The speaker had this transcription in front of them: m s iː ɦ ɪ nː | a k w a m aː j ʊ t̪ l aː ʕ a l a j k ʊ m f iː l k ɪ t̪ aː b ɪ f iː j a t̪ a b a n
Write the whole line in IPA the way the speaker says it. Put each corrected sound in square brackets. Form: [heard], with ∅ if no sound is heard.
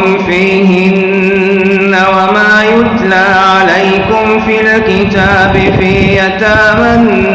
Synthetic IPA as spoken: m [f] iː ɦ ɪ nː | a [∅] w a m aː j ʊ t̪ l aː ʕ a l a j k ʊ m f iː l k ɪ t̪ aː b ɪ f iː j a t̪ a [m] a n